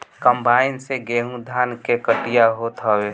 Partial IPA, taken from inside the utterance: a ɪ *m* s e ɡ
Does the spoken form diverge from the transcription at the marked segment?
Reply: yes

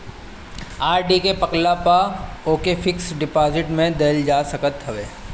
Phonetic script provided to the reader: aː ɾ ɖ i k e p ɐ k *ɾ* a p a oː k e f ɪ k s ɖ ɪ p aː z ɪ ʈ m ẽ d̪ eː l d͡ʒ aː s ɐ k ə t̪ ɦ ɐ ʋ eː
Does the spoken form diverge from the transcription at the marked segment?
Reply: yes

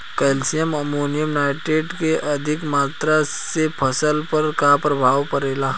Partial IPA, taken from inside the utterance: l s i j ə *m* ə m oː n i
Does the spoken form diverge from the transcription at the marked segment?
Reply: no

